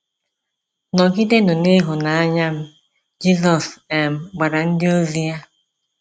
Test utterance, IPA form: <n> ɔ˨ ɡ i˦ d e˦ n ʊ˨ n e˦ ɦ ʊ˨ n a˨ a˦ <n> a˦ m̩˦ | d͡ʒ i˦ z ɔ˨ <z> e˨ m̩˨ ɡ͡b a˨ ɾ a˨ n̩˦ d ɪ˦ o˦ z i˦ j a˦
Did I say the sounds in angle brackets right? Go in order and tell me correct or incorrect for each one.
correct, incorrect: ɲ, incorrect: s

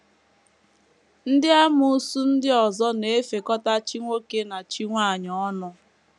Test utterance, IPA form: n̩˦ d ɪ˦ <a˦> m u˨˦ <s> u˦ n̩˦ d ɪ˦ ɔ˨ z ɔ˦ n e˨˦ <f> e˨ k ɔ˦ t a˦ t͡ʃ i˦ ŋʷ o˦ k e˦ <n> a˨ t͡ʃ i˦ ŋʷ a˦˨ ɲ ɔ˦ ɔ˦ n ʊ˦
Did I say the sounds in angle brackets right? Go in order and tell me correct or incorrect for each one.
correct, correct, correct, correct

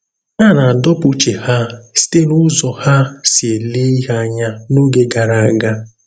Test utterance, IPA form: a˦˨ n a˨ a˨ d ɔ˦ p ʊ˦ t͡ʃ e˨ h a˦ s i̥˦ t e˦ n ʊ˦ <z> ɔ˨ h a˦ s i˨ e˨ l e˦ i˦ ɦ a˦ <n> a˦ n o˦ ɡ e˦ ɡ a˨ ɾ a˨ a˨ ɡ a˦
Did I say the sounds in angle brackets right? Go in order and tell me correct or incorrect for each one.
correct, incorrect: ɲ

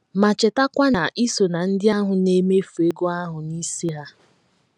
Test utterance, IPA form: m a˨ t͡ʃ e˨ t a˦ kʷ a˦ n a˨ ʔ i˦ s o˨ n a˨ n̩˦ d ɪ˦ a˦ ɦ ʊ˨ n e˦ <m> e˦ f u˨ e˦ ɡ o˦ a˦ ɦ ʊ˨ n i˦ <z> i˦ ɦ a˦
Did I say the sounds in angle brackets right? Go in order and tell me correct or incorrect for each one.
correct, incorrect: s

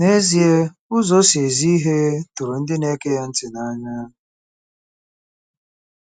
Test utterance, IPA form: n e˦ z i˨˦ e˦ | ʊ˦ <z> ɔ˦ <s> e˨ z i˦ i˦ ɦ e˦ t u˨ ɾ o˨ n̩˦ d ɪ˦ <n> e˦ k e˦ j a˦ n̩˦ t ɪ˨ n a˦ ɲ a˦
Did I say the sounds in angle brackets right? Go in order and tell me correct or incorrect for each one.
correct, correct, correct

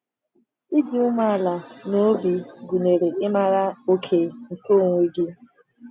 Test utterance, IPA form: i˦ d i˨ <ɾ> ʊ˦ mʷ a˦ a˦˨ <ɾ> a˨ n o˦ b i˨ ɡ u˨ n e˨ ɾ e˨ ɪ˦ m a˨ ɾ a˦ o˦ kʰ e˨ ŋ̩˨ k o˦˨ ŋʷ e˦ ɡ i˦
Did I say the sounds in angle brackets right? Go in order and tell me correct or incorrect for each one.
incorrect: none, incorrect: l

